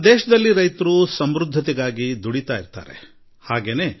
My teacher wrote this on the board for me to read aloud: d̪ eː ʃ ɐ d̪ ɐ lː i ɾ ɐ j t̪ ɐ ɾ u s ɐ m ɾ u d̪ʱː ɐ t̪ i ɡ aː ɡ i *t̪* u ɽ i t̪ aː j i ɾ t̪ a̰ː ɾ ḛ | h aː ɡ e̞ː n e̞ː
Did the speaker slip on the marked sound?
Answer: yes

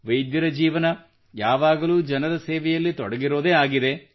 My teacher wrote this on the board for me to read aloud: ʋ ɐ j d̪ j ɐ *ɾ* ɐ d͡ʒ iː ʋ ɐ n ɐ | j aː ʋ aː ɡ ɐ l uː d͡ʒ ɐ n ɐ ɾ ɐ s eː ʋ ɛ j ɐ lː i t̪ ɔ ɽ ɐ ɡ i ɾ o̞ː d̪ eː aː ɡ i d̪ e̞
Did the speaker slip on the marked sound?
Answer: no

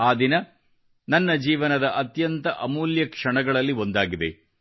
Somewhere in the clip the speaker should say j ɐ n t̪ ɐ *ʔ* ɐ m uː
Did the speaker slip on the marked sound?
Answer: no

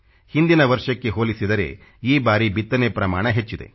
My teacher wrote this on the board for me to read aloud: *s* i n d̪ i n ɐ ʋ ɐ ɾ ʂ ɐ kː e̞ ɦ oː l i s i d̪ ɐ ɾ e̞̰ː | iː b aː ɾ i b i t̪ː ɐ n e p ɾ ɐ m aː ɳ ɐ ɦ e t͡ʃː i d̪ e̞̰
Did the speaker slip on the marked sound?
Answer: yes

